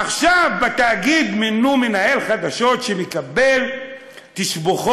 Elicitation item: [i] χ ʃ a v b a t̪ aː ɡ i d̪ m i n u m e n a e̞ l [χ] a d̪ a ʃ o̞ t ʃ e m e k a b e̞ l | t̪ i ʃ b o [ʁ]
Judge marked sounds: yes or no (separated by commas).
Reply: no, yes, no